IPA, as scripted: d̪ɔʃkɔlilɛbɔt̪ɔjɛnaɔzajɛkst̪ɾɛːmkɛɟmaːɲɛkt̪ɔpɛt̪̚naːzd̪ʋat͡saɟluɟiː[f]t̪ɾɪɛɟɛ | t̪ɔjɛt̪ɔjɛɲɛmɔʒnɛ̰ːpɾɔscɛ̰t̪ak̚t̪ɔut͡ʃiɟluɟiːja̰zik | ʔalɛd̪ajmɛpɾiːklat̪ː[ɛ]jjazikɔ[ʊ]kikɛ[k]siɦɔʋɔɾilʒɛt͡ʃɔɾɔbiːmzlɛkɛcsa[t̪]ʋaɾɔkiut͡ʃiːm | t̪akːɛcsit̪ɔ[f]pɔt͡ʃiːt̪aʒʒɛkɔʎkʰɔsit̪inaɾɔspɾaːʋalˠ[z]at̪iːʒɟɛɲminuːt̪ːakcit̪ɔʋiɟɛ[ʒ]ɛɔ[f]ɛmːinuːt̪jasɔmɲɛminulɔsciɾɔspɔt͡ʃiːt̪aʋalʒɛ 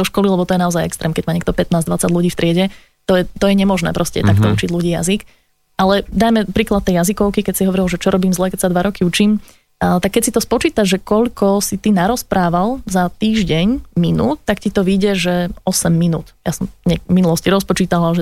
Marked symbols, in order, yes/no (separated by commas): yes, yes, yes, no, no, no, yes, yes, no